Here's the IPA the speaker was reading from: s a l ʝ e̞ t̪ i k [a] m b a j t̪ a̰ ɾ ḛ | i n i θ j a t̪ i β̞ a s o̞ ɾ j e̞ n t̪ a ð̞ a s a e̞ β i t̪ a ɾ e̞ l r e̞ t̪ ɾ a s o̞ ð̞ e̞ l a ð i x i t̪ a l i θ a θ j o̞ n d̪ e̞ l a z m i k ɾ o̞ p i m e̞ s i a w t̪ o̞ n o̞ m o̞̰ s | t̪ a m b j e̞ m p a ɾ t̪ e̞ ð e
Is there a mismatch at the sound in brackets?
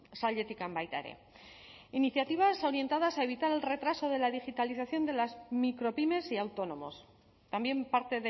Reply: no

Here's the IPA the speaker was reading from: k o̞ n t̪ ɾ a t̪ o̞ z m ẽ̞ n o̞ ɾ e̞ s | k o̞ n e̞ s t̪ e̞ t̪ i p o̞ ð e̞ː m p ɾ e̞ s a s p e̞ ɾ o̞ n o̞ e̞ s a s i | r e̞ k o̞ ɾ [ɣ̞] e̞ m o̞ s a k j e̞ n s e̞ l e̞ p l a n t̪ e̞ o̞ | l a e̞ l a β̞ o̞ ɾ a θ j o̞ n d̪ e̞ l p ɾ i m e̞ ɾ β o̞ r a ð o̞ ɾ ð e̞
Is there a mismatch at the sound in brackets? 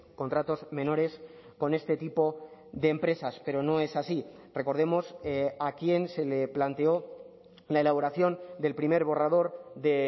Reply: yes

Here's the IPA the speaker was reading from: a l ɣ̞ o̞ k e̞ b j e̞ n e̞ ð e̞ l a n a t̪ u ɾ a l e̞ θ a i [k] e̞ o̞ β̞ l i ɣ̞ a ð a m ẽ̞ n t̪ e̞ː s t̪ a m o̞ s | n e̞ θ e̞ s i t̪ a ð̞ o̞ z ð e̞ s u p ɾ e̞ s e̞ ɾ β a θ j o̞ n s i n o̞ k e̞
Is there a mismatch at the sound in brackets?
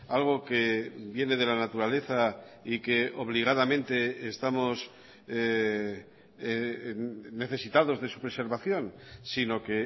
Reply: no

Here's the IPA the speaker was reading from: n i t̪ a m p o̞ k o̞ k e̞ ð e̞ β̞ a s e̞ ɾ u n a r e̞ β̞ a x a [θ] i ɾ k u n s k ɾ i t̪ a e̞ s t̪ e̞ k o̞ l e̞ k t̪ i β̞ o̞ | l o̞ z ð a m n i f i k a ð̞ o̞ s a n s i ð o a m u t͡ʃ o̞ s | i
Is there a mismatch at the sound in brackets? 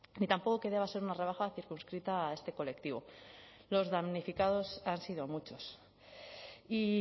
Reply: no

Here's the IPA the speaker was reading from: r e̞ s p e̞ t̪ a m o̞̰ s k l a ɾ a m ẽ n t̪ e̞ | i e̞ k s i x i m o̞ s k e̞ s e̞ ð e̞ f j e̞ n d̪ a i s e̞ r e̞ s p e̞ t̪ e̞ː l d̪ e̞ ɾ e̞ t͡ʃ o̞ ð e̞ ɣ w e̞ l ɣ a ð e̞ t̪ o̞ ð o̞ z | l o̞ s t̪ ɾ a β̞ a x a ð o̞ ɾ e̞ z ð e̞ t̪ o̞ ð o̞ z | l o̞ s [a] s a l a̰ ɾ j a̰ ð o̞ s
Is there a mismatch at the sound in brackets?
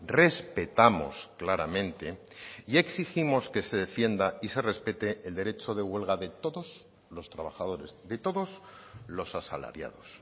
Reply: no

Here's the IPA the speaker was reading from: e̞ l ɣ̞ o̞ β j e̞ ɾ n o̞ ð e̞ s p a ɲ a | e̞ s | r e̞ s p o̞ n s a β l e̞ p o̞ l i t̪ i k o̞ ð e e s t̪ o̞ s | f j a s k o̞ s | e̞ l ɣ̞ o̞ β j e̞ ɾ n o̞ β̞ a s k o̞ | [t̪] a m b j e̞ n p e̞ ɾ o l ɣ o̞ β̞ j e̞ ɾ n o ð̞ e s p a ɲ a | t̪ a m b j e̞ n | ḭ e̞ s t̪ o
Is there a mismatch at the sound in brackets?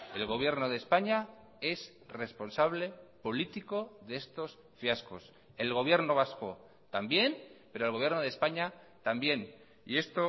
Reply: no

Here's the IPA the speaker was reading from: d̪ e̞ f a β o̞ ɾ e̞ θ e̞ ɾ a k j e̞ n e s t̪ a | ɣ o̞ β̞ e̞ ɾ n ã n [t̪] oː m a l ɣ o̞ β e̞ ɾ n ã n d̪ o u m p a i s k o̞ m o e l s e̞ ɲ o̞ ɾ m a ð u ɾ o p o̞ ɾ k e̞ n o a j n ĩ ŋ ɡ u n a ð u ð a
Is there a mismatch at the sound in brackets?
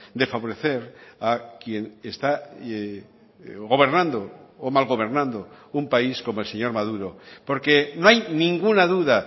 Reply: yes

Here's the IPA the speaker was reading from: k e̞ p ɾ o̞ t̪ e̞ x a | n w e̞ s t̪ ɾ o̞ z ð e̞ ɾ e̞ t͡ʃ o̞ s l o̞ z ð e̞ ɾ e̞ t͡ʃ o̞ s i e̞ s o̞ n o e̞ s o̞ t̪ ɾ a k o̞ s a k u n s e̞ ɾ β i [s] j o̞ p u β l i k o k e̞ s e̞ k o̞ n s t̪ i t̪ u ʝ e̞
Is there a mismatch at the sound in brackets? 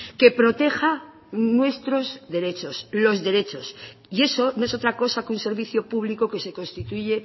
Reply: yes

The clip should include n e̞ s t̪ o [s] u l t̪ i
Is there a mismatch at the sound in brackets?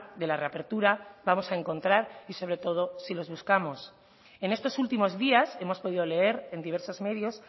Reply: no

